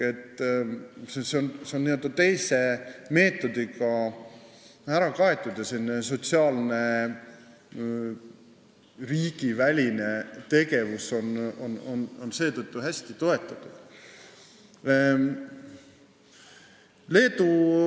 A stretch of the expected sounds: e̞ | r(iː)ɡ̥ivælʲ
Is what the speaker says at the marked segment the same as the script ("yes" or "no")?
yes